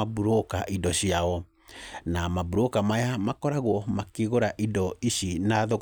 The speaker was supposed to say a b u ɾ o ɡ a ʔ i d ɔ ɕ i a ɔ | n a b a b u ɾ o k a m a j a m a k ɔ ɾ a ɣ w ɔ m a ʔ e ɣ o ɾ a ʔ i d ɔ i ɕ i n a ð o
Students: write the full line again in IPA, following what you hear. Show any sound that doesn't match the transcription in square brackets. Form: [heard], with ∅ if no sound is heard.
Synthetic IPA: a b u ɾ o [k] a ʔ i d ɔ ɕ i a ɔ | n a [m] a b u ɾ o k a m a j a m a k ɔ ɾ a ɣ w ɔ m a [k] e ɣ o ɾ a ʔ i d ɔ i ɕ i n a ð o